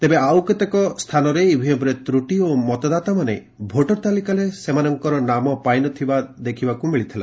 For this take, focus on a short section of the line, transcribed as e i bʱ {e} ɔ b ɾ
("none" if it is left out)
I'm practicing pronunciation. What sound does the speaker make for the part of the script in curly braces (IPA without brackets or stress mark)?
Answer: i